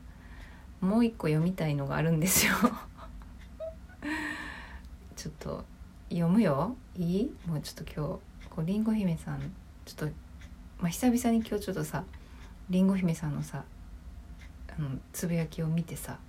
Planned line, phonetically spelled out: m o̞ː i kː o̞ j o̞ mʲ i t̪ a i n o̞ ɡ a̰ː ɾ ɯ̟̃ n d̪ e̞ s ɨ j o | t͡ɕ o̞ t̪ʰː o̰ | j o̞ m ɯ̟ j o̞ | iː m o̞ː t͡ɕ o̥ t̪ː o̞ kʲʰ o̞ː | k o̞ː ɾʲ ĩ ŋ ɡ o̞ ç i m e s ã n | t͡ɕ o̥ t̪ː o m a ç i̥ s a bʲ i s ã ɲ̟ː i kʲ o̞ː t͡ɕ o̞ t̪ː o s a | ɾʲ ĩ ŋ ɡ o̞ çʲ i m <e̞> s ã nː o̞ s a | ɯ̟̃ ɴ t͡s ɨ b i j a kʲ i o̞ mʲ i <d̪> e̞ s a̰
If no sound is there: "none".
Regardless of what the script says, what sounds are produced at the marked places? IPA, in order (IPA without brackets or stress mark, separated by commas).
e̞, t̪